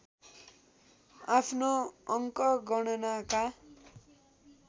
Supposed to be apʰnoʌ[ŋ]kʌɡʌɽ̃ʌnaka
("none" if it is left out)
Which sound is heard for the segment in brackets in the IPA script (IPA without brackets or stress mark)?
ŋ